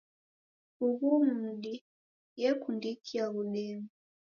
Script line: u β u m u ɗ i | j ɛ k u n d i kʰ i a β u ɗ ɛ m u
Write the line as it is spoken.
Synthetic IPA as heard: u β u m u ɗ i | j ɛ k u n d i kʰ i a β u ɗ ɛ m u

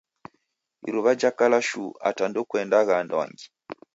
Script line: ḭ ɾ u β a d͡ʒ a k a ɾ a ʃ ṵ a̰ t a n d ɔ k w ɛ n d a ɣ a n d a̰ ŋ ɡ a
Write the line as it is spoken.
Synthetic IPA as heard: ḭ ɾ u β a d͡ʒ a k a l a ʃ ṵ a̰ t a n d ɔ k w ɛ n d a ɣ a n d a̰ ŋ ɡ i

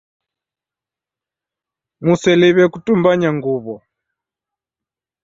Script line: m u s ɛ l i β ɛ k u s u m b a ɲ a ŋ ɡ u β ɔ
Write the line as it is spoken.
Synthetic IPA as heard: m u s ɛ l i β ɛ k u t u m b a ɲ a ŋ ɡ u β ɔ

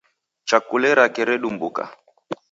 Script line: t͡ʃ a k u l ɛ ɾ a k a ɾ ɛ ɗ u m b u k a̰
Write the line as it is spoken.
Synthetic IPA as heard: t͡ʃ a k u l ɛ ɾ a k ɛ ɾ ɛ ɗ u m b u k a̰

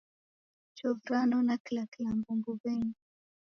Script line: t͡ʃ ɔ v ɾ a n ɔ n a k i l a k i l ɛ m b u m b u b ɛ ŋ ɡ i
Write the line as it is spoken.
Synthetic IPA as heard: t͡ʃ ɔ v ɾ a n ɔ n a k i l a k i l a m b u m b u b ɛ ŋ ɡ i

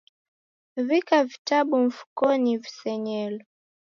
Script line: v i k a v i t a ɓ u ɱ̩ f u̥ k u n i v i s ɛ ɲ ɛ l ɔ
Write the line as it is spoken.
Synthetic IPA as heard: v i k a v i t a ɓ u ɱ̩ f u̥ k ɔ n i v i s ɛ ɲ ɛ l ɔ

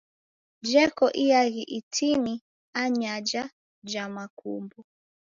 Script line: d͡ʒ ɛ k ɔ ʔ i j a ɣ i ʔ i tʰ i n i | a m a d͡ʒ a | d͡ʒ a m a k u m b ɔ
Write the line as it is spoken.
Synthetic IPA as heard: d͡ʒ ɛ k ɔ ʔ i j a ɣ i ʔ i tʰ i n i | a ɲ a d͡ʒ a | d͡ʒ a m a k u m b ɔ

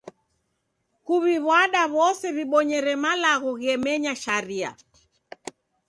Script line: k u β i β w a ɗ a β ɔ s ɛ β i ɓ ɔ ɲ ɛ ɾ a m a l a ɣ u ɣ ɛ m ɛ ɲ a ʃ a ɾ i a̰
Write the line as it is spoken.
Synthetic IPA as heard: k u β i β w a ɗ a β ɔ s ɛ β i ɓ ɔ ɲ ɛ ɾ ɛ m a l a ɣ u ɣ ɛ m ɛ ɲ a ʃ a ɾ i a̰

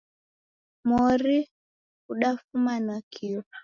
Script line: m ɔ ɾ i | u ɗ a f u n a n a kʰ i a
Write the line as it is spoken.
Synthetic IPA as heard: m ɔ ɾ i | u ɗ a f u m a n a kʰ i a

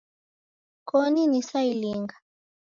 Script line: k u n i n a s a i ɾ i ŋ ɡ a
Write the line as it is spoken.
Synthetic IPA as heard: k ɔ n i n i s a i l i ŋ ɡ a

